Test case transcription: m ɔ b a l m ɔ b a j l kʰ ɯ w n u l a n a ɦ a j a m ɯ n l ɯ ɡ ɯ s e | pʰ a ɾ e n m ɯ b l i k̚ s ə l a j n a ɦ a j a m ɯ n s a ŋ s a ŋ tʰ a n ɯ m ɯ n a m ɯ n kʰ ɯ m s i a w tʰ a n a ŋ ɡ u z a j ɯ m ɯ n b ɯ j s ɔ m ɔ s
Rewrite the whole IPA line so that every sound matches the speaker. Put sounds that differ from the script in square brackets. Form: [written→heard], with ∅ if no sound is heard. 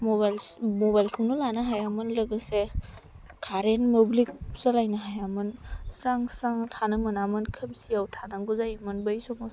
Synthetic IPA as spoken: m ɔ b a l m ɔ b a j l kʰ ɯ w n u l a n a ɦ a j a m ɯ n l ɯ ɡ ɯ s e | [pʰ→kʰ] a ɾ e n m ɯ b l i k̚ s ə l a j n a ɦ a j a m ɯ n s a ŋ s a ŋ tʰ a n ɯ m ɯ n a m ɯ n kʰ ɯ m s i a w tʰ a n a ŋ ɡ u z a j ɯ m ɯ n b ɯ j s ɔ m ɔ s

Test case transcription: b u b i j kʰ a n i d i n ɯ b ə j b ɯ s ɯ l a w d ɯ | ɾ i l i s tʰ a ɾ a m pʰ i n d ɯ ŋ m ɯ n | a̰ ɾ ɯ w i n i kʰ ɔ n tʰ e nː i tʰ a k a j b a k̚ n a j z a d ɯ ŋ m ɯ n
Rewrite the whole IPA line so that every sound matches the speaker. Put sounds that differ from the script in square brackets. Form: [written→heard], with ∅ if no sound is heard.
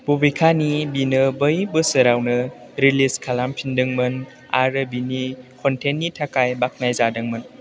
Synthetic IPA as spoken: b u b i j kʰ a n i [d→b] i n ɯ b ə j b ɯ s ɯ [l→ɾ] a w [d→n] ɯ | ɾ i l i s [tʰ→kʰ] a [ɾ→l] a m pʰ i n d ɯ ŋ m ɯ n | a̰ ɾ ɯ [w→b] i n i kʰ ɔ n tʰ e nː i tʰ a k a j b a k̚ n a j z a d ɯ ŋ m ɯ n

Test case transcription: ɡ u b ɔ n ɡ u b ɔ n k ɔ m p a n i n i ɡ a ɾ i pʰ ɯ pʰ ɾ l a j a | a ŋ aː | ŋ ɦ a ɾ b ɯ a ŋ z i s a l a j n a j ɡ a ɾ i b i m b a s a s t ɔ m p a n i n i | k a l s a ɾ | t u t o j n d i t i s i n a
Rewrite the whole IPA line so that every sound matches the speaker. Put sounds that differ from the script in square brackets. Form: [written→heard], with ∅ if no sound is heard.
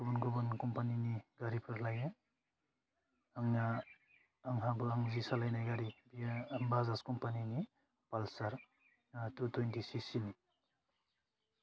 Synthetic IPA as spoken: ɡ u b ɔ n ɡ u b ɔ n k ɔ m p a n i n i ɡ a ɾ i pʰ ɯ [pʰ→∅] ɾ l a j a | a ŋ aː | ŋ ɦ a [ɾ→∅] b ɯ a ŋ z i s a l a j n a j ɡ a ɾ i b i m b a [s→z] a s [t→k] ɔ m p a n i n i | [k→p] a l s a ɾ | t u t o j n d i [t→s] i s i n [a→i]

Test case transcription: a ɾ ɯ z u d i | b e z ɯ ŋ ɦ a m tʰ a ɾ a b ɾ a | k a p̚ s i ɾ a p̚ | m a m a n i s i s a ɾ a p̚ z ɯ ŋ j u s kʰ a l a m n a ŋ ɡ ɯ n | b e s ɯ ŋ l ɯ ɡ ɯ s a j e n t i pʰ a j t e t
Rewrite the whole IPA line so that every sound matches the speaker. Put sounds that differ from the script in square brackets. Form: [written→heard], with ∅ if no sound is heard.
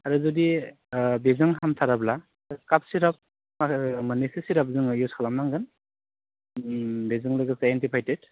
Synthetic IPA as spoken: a ɾ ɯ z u d i | b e z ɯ ŋ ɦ a m tʰ a ɾ a b [ɾ→l] a | k a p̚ s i ɾ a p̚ | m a m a n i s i s [a→i] ɾ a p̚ z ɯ ŋ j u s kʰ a l a m n a ŋ ɡ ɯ n | b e [s→z] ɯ ŋ l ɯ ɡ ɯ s a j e n t i pʰ a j t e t

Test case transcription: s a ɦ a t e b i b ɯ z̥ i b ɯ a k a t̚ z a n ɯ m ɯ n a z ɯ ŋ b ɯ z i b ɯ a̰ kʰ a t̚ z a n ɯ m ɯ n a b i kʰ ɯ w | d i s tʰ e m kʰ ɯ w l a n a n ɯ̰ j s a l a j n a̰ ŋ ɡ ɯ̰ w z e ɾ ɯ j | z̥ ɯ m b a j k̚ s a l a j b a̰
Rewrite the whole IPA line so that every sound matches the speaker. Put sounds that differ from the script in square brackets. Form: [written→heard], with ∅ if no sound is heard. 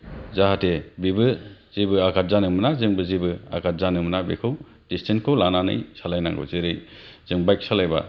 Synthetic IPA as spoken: [s→z] a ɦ a t e b i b ɯ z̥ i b ɯ a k a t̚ z a n ɯ m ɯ n a z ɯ ŋ b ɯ z i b ɯ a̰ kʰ a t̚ z a n ɯ m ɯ n a b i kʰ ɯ w | d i s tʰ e [m→n] kʰ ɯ w l a n a n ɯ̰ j s a l a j n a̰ ŋ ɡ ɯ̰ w z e ɾ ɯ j | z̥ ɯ [m→ŋ] b a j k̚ s a l a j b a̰

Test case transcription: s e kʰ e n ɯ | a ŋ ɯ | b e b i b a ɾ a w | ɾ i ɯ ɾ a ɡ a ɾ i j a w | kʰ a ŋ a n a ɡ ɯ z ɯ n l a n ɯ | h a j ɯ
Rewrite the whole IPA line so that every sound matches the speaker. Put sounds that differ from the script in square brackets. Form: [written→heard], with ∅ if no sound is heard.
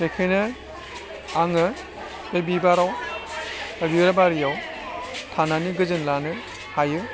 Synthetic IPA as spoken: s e kʰ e n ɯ | a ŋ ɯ | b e b i b a ɾ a w | ɾ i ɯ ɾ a [ɡ→b] a ɾ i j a w | [kʰ→tʰ] a [ŋ→n] a n [a→i] ɡ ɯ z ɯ n l a n ɯ | h a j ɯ

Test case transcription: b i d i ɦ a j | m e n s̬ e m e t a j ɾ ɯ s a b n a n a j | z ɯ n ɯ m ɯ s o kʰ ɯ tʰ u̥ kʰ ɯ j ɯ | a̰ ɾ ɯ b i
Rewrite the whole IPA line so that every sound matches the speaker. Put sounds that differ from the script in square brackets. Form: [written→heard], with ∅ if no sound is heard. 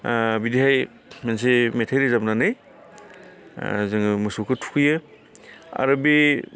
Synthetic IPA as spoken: b i d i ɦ a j | m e n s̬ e m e [t→tʰ] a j ɾ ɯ [s→z] a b n a n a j | z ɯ [n→ŋ] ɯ m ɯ s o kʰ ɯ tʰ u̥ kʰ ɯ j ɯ | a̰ ɾ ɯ b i

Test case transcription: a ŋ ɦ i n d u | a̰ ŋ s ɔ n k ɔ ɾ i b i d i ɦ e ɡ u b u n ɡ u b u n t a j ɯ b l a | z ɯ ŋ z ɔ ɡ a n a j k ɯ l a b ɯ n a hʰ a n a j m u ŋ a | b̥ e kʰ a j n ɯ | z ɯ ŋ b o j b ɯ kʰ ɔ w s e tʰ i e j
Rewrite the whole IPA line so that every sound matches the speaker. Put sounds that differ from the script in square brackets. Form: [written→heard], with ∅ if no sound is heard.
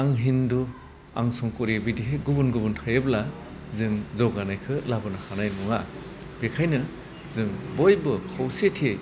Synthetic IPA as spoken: a ŋ ɦ i n d u | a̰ ŋ s ɔ [n→ŋ] k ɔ ɾ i b i d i ɦ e ɡ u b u n ɡ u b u n [t→tʰ] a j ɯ b l a | z ɯ ŋ z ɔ ɡ a n a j [k→kʰ] ɯ l a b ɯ n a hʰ a n a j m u ŋ a | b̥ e kʰ a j n ɯ | z ɯ ŋ b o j b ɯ kʰ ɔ w s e tʰ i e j

